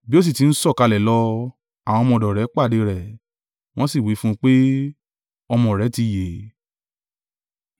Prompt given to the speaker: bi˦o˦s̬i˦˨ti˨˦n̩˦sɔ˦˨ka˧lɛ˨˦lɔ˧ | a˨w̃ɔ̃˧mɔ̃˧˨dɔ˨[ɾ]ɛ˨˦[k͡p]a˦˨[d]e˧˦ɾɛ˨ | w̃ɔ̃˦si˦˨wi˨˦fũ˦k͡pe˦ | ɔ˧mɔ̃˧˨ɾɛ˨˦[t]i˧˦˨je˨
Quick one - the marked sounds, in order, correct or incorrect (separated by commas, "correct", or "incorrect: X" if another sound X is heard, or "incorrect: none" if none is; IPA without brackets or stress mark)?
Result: correct, correct, correct, correct